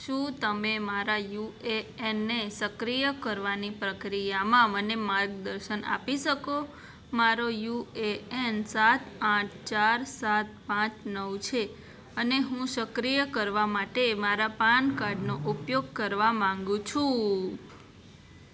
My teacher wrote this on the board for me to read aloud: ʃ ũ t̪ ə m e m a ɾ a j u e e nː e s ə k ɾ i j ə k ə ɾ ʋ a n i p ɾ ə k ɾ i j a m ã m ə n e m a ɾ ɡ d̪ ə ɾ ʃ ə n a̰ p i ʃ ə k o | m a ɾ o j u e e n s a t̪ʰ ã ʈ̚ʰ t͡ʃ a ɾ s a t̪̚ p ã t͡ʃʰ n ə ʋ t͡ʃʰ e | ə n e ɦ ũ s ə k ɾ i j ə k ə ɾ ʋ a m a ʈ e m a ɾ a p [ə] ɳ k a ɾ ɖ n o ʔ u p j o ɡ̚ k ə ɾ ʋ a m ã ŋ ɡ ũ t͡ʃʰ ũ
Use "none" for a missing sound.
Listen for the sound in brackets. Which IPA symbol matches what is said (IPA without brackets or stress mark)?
a